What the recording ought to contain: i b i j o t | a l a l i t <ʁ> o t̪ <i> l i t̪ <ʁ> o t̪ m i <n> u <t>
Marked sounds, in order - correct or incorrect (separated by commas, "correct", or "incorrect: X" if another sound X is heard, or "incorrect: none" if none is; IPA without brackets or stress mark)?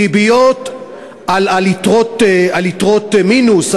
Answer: correct, incorrect: a, correct, correct, incorrect: s